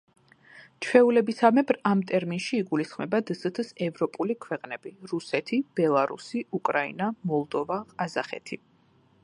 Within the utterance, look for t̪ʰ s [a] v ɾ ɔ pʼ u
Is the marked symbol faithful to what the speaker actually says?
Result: no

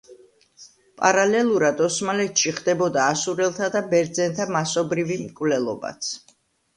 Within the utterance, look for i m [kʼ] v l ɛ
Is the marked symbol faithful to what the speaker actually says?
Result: yes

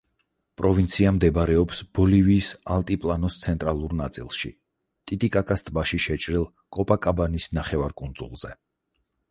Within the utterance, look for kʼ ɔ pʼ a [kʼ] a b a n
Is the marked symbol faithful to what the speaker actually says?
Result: yes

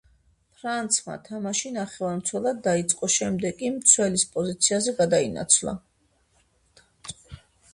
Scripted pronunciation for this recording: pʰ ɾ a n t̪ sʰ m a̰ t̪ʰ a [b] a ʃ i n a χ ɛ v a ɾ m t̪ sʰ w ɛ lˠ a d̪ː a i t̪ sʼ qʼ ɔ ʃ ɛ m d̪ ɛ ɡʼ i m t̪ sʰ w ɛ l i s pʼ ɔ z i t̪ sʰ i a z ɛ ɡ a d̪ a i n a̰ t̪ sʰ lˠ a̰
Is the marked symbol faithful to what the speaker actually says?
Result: no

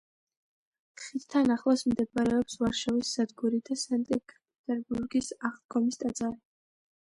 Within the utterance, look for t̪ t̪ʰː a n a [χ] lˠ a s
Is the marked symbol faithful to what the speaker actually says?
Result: yes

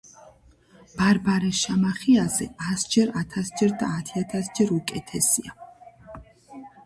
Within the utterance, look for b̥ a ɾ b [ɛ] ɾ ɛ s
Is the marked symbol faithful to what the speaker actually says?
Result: no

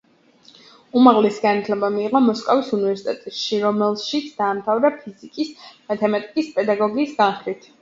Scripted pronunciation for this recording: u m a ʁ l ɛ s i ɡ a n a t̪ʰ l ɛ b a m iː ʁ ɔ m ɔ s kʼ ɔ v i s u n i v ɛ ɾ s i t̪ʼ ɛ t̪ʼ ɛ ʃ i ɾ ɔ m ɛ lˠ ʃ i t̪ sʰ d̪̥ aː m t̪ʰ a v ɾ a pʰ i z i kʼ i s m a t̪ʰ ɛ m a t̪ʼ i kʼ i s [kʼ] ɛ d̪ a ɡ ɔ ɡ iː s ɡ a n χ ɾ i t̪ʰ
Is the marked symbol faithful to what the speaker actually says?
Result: no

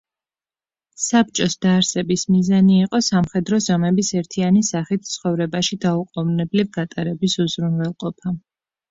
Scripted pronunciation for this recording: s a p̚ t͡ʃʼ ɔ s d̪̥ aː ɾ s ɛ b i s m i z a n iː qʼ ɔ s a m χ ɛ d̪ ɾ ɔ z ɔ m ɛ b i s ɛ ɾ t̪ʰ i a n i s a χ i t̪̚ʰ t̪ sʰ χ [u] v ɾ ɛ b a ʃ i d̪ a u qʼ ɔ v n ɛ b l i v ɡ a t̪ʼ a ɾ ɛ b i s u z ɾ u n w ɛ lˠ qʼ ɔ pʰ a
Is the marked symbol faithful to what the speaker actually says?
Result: no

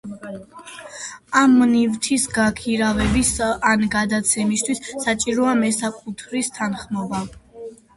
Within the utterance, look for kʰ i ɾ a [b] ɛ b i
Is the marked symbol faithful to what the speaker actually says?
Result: no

